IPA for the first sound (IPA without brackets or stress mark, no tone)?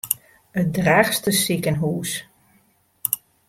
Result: ə